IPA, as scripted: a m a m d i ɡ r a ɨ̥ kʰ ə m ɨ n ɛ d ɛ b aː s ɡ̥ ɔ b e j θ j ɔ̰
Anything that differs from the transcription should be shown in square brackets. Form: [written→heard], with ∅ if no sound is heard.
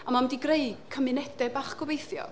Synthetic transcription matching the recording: a m a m d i ɡ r [a→e] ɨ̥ kʰ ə m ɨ n ɛ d ɛ b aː [s→χ] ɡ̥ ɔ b e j θ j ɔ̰

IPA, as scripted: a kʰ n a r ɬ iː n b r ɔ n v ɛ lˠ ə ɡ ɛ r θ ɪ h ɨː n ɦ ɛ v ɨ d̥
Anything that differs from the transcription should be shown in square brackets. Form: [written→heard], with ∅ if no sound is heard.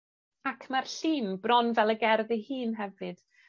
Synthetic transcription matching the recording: a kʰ [n→m] a r ɬ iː n b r ɔ n v ɛ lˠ ə ɡ ɛ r [θ→ð] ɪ h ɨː n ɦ ɛ v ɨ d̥

